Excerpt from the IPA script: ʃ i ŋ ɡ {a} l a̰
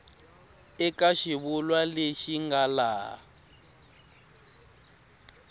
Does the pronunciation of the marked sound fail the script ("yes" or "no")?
no